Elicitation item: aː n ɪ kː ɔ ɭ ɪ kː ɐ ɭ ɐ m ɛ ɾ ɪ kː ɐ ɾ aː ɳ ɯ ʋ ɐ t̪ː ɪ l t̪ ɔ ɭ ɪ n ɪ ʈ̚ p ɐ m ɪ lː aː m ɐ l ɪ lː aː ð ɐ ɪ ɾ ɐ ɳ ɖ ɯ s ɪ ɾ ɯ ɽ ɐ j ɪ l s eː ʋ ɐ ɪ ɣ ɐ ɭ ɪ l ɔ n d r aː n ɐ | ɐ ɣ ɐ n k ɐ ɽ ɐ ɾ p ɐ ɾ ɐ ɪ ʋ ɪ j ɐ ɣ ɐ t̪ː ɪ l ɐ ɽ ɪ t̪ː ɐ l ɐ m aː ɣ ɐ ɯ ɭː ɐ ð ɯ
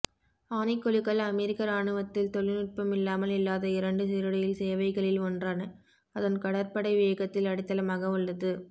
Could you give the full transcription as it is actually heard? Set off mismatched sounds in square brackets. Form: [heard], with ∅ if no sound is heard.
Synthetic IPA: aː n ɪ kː ɔ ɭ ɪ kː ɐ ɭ ɐ m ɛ ɾ ɪ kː ɐ ɾ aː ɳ ɯ ʋ ɐ t̪ː ɪ l t̪ ɔ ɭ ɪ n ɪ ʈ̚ p ɐ m ɪ lː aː m ɐ l ɪ lː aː ð ɐ ɪ ɾ ɐ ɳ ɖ ɯ s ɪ ɾ ɯ ɽ ɐ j ɪ l s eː ʋ ɐ ɪ ɣ ɐ ɭ ɪ l ɔ n d r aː n ɐ | ɐ [ð] ɐ n k ɐ ɽ ɐ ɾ p ɐ [ɽ] ɐ ɪ ʋ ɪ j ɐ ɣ ɐ t̪ː ɪ l ɐ ɽ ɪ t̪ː ɐ l ɐ m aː ɣ ɐ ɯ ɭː ɐ ð ɯ